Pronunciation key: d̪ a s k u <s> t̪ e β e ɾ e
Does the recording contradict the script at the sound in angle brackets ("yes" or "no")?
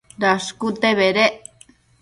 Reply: yes